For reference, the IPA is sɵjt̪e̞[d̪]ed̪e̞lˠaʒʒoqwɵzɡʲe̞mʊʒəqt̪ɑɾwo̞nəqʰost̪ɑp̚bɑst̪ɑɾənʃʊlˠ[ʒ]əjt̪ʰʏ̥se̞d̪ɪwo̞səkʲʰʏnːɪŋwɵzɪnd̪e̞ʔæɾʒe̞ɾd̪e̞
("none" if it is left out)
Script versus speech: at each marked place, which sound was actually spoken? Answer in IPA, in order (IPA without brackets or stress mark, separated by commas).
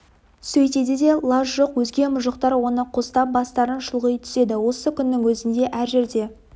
d̪, ʁ